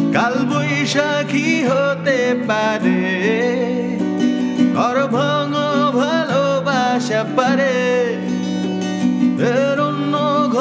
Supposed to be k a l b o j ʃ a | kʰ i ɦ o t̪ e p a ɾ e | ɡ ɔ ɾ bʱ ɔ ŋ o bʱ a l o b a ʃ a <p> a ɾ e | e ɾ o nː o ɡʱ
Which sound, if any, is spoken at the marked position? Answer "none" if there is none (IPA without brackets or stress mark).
p